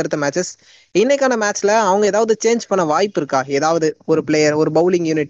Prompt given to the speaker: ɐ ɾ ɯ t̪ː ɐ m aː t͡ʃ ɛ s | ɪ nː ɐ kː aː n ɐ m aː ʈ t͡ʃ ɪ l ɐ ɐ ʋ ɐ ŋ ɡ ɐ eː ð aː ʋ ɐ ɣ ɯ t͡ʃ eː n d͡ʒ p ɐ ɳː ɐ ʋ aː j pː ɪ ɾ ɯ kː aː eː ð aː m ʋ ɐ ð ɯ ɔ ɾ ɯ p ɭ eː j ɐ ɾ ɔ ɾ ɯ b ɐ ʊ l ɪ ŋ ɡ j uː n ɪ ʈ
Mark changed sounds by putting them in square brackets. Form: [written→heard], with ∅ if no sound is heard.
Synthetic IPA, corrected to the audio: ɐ ɾ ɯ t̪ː ɐ m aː t͡ʃ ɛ s | ɪ nː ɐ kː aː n ɐ m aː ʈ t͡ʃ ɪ l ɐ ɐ ʋ ɐ ŋ ɡ ɐ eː ð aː ʋ ɐ [ɣ→ð] ɯ t͡ʃ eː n d͡ʒ p ɐ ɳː ɐ ʋ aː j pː ɪ ɾ ɯ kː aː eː ð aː [m→∅] ʋ ɐ ð ɯ ɔ ɾ ɯ p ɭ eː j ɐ ɾ ɔ ɾ ɯ b ɐ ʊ l ɪ ŋ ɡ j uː n ɪ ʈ